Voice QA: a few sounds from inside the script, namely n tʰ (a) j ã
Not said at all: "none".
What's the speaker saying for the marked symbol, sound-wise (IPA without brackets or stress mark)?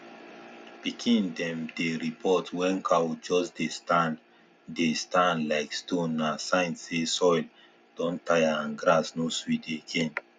a